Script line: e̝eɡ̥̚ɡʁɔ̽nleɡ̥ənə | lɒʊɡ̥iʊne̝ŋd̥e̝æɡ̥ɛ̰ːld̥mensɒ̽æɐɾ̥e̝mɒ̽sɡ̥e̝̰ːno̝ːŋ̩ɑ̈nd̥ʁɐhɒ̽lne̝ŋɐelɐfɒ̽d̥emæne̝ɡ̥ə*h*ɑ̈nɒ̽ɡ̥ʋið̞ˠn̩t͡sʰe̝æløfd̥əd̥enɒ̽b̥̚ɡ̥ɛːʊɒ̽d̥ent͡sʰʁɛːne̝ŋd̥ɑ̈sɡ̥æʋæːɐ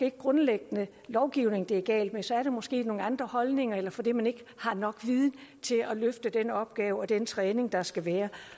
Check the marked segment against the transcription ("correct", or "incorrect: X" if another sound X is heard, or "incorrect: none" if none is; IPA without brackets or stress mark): correct